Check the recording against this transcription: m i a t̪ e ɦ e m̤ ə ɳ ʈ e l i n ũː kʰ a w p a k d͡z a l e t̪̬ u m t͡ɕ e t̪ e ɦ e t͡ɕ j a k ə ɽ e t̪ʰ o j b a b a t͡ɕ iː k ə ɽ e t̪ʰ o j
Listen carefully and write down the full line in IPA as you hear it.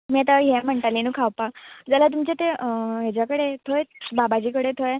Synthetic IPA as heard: m i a t̪ a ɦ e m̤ ə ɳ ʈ a l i n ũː kʰ a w p a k d͡z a l a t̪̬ u m t͡ɕ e t̪ e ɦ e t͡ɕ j a k ə ɽ e t̪ʰ o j b a b a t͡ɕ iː k ə ɽ e t̪ʰ o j